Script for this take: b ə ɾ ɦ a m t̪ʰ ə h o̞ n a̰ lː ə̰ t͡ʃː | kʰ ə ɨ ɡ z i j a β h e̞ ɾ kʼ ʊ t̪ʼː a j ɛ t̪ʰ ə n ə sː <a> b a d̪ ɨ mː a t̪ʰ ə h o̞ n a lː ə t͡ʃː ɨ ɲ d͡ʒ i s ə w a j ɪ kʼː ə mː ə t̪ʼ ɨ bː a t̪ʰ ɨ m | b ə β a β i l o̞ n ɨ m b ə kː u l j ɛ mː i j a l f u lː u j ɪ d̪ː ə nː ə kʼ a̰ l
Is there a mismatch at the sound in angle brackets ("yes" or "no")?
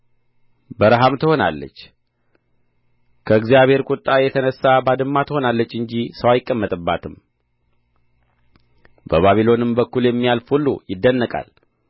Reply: no